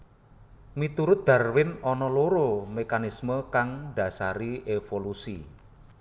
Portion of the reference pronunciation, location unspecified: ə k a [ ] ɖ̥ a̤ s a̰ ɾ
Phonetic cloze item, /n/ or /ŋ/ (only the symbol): ŋ